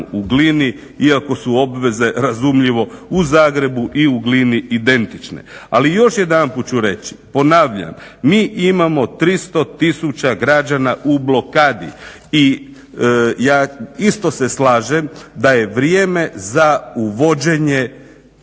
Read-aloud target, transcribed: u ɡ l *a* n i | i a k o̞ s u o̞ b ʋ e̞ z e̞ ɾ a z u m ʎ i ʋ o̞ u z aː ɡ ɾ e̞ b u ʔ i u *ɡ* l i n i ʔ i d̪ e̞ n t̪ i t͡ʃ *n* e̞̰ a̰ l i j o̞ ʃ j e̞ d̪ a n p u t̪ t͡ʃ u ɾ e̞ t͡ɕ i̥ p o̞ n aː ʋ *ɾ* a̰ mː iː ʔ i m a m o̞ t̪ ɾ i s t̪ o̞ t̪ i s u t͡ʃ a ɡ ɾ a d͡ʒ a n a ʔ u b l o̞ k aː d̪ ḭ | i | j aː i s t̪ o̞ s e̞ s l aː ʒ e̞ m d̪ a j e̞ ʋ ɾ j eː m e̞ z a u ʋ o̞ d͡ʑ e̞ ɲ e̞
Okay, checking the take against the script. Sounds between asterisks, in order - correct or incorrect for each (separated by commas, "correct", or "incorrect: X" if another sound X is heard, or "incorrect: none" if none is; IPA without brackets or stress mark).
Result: incorrect: i, correct, correct, incorrect: ʎ